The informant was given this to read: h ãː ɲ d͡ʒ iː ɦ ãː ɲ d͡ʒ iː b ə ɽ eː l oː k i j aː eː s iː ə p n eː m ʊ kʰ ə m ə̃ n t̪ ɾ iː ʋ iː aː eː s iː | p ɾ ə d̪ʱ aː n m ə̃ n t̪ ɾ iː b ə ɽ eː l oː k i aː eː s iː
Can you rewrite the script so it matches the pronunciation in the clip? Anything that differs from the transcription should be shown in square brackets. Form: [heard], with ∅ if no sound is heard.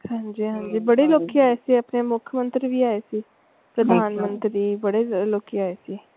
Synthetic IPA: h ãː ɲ d͡ʒ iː ɦ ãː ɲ d͡ʒ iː b ə ɽ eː l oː k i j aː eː s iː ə p n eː m ʊ kʰ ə m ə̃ n t̪ ɾ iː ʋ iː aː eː s iː | p ɾ ə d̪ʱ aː n m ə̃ n t̪ ɾ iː b ə ɽ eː l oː k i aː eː s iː